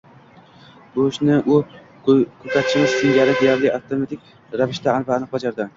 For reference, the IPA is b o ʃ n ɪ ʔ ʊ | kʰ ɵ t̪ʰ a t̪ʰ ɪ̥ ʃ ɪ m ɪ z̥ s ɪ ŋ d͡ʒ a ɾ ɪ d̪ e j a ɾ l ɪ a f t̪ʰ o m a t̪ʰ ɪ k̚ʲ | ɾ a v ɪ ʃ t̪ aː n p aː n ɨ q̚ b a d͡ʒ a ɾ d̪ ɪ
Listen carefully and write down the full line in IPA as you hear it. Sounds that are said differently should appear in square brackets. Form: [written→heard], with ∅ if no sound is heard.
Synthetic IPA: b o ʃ n ɪ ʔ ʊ | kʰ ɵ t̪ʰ a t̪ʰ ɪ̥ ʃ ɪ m ɪ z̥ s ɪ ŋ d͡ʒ a ɾ ɪ d̪ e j a ɾ l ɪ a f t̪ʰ o m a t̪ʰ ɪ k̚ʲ | ɾ a v ɪ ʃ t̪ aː n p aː n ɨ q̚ b a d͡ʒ a ɾ d̪ ɪ